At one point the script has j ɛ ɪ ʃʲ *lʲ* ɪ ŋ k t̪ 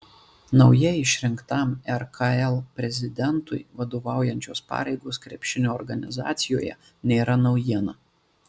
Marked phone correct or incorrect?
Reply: incorrect